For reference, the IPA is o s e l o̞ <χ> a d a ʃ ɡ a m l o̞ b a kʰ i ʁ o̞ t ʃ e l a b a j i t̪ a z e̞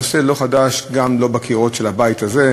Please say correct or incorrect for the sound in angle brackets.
correct